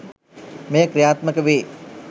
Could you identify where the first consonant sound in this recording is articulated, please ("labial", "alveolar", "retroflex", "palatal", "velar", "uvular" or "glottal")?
labial